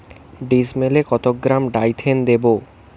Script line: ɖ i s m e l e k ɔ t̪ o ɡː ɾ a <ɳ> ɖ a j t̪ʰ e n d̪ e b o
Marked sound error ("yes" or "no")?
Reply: yes